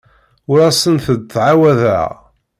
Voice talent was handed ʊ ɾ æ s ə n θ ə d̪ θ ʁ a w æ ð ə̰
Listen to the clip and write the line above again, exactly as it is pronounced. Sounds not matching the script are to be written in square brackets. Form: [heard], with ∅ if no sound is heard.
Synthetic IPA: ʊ ɾ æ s ə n θ ə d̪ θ [ʕ] a w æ ð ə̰

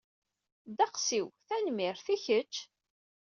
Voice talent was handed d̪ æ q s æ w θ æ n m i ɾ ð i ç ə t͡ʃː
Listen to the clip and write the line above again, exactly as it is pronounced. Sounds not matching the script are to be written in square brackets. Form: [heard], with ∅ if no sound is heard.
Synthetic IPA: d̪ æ q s [i] w θ æ n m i ɾ [θ] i ç ə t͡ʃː

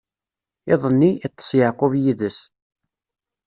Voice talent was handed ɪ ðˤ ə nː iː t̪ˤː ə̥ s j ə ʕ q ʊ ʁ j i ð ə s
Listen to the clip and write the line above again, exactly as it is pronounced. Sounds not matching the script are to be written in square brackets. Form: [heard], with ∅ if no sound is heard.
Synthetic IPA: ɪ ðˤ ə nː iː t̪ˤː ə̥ s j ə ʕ q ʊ [v] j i ð ə s

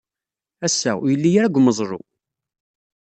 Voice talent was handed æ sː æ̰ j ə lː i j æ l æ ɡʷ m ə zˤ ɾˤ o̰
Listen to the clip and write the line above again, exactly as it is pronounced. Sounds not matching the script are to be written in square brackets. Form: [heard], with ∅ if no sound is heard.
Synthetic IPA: æ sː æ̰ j ə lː i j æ [ɾ] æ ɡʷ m ə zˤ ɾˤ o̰

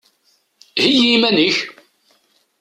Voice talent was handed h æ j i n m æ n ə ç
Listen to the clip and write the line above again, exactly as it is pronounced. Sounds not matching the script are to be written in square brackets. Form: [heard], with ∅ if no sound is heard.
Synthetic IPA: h [i] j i [∅] m æ n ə ç

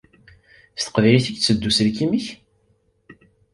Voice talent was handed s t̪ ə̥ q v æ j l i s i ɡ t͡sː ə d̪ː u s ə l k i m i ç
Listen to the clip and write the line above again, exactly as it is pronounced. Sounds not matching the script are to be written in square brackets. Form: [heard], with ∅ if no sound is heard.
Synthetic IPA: s t̪ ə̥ q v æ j l i [θ] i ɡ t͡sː ə d̪ː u s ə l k i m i ç

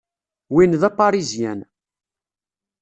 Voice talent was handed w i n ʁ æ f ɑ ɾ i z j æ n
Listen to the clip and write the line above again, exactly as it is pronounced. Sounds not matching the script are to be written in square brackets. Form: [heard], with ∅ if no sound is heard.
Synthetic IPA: w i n [ð] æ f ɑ ɾ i z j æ n

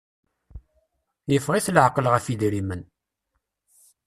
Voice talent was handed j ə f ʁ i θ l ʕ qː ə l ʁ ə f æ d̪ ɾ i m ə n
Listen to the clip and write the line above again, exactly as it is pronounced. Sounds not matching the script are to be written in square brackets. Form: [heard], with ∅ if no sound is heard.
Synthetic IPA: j ə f ʁ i θ l ʕ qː ə l ʁ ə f [i] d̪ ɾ i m ə n

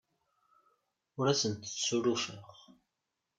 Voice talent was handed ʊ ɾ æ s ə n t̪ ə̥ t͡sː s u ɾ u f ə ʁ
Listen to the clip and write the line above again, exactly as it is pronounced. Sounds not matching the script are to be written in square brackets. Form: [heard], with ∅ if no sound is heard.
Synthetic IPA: ʊ ɾ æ s ə n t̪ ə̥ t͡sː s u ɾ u f ə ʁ

